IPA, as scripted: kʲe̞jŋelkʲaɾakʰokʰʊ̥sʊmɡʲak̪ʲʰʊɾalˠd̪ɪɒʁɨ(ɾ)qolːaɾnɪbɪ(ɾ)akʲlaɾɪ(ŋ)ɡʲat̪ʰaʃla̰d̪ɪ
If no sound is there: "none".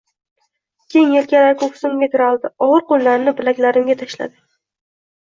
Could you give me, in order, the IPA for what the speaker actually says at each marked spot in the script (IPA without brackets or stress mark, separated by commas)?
ɾ, l, m